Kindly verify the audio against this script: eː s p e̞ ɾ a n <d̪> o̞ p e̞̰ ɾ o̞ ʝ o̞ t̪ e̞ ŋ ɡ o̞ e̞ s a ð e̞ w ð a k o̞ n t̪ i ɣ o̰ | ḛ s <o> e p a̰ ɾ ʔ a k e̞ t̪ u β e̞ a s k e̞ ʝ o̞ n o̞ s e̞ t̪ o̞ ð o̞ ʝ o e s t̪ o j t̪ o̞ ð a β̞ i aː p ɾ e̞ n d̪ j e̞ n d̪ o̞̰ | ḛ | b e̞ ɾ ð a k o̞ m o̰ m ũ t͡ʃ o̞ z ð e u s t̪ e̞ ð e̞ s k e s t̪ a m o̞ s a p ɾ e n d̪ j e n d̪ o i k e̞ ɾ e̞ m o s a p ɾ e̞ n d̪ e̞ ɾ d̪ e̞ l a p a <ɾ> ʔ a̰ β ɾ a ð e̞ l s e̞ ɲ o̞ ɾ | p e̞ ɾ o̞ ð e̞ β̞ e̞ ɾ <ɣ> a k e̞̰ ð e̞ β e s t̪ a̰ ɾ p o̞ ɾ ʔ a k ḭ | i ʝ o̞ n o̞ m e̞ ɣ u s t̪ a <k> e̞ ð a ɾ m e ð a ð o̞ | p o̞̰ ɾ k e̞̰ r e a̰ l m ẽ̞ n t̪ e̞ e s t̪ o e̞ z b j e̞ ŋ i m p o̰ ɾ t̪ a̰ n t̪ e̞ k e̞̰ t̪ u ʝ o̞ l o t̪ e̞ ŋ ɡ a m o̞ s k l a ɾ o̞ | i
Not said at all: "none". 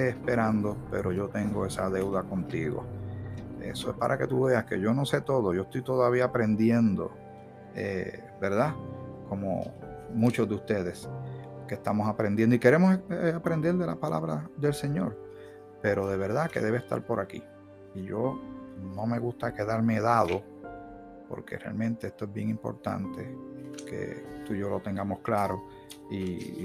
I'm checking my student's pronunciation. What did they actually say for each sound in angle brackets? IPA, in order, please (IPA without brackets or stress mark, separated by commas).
d̪, o, l, ð, k